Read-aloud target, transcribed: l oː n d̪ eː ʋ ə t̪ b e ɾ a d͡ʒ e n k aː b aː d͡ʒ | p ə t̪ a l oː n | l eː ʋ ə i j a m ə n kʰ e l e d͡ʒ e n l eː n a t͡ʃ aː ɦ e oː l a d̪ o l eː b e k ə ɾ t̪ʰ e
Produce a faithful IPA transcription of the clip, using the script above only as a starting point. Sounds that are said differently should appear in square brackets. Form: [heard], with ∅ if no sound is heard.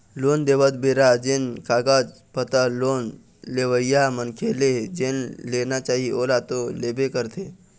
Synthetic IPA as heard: l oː n d̪ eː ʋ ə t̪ b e ɾ a d͡ʒ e n k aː [ɡ] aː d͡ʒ | p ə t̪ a l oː n | l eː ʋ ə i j a m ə n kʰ e l e d͡ʒ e n l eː n a t͡ʃ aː ɦ [i] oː l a [t̪] o l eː b e k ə ɾ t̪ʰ e